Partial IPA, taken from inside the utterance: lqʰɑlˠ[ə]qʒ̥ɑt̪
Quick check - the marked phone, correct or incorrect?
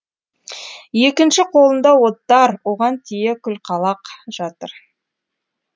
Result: incorrect